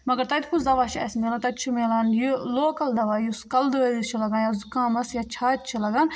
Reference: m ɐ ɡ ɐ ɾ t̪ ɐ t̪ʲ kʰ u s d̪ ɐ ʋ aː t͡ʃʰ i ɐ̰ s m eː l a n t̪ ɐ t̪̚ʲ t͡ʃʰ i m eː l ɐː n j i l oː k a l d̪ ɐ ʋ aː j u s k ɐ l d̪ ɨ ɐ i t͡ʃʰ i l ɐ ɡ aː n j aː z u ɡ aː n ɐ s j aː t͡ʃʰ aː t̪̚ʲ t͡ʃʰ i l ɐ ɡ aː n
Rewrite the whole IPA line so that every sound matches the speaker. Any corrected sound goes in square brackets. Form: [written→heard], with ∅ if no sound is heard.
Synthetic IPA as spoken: m ɐ ɡ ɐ ɾ t̪ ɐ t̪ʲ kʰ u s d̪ ɐ ʋ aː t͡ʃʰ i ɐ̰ s m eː l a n t̪ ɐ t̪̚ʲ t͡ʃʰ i m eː l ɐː n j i l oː k [a→ɐ] l d̪ ɐ ʋ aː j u s k ɐ l d̪ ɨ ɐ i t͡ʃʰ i l ɐ ɡ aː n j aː z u [ɡ→k] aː [n→m] ɐ s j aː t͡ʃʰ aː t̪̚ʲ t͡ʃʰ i l ɐ ɡ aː n

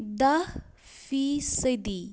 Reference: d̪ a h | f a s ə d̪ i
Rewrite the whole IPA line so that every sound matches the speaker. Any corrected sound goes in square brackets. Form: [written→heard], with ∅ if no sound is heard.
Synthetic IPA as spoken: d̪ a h | f [a→i] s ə d̪ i

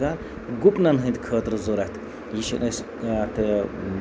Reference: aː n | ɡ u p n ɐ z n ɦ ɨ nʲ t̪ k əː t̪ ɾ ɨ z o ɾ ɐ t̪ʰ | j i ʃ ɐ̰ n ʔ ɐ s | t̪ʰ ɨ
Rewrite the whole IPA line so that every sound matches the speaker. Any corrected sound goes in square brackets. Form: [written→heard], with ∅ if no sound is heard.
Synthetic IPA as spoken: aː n | ɡ u p n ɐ [z→∅] n ɦ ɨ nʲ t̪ [k→kʰ] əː t̪ ɾ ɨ z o ɾ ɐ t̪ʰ | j i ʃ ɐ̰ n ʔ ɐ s | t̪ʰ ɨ

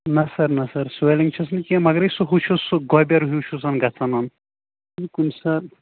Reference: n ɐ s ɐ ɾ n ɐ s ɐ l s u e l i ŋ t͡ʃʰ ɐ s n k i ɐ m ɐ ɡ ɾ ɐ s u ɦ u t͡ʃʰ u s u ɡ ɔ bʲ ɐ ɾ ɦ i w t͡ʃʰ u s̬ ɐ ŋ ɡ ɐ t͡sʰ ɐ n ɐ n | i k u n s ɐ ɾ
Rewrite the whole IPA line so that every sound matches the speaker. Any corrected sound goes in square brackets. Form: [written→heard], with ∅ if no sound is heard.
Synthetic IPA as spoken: n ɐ s ɐ ɾ n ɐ s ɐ [l→ɾ] s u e l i ŋ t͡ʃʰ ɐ s n k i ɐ m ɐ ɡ ɾ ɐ s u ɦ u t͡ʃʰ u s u ɡ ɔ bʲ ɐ ɾ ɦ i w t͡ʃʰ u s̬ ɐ [ŋ→n] ɡ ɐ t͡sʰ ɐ n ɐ n | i k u n s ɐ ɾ

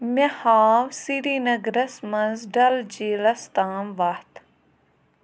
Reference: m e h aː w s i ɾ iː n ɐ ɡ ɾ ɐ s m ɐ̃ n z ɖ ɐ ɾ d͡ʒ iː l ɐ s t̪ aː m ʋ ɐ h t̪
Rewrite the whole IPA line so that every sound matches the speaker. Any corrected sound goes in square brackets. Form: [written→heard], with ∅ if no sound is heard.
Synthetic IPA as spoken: m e h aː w s i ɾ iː n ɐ ɡ ɾ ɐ s m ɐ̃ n z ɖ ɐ [ɾ→l] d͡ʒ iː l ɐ s t̪ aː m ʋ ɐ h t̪

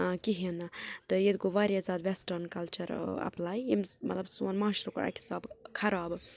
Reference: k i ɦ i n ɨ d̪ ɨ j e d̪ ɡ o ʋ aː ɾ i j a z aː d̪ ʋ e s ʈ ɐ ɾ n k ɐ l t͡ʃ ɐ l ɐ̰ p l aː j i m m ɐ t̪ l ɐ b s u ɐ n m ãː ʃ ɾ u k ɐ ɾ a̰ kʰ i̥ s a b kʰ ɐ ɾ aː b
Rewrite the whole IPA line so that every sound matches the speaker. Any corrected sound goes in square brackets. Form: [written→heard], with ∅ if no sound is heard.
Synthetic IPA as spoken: k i ɦ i n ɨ [d̪→t̪] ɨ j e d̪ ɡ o ʋ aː ɾ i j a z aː d̪ ʋ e s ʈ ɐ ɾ n k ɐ l t͡ʃ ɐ [l→ɾ] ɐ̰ p l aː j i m m ɐ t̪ l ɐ b s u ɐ n m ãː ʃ ɾ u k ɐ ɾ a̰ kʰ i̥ s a b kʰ ɐ ɾ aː b

